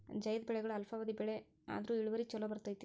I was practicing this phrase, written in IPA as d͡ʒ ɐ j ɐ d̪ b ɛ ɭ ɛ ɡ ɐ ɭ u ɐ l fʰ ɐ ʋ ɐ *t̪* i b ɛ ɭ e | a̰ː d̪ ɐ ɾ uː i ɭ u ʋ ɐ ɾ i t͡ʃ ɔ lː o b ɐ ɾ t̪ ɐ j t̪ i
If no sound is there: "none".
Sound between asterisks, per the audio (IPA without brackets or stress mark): d̪